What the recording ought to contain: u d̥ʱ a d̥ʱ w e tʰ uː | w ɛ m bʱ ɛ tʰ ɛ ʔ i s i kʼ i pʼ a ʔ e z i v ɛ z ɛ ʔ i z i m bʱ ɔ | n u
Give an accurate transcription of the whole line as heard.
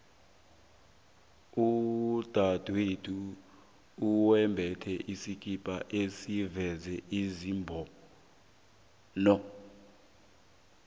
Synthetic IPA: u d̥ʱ a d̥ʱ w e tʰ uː | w ɛ m bʱ ɛ tʰ ɛ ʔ i s i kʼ i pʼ a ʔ e s i v ɛ z ɛ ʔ i z i m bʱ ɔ | n ɔ